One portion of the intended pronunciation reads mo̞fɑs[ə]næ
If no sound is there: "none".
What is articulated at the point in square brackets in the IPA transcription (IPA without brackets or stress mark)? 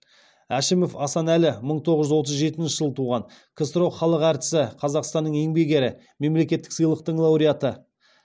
ɑ